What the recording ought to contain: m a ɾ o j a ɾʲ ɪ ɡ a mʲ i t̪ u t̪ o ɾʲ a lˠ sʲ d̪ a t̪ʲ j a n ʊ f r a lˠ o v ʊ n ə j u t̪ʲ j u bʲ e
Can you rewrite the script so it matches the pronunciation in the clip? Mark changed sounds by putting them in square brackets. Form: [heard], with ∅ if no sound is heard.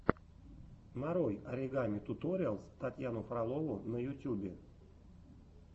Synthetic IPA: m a ɾ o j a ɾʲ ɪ ɡ a mʲ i t̪ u t̪ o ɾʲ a lˠ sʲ [t̪] a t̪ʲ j a n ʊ f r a lˠ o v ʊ n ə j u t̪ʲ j u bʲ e